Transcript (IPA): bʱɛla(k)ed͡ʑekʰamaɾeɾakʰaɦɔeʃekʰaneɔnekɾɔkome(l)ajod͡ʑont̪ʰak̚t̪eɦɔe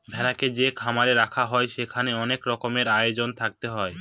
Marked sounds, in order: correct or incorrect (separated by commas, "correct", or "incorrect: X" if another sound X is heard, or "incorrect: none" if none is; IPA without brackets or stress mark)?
correct, incorrect: ɾ